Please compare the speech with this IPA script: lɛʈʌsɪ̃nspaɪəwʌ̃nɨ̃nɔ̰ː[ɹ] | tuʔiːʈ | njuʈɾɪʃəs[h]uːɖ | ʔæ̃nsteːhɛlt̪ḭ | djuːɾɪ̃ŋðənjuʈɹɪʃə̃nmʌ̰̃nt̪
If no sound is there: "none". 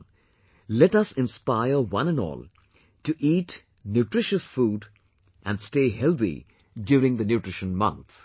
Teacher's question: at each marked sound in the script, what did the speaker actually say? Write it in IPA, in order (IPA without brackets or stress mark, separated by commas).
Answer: l, f